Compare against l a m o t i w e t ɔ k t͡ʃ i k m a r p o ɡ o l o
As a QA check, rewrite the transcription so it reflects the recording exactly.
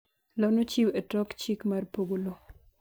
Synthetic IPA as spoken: l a n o t͡ʃ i w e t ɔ k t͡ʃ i k m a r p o ɡ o l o